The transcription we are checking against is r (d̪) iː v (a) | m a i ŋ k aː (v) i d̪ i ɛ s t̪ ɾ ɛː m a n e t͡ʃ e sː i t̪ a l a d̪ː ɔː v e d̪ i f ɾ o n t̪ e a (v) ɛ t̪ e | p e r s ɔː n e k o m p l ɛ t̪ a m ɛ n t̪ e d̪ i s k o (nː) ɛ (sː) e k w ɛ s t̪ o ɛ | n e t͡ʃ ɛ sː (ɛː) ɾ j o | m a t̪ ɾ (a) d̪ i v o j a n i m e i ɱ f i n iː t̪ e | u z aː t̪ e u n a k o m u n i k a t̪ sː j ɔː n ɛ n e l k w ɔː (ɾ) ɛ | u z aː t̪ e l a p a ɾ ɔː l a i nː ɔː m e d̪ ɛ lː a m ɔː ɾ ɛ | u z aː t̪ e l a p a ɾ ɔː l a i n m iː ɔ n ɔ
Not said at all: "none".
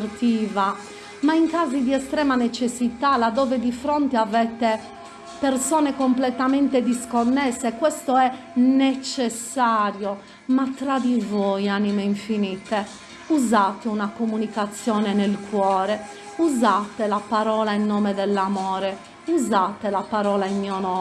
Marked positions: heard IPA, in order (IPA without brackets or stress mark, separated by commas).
t̪, a, z, v, nː, sː, aː, a, ɾ